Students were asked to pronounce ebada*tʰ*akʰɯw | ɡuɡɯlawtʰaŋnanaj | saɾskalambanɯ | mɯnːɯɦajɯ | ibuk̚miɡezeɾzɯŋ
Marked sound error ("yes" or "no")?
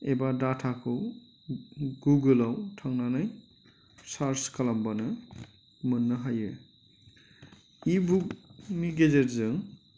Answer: no